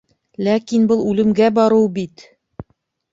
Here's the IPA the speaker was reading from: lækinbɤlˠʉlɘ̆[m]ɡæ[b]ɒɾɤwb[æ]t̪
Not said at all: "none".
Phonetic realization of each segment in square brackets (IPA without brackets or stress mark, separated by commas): m, b, i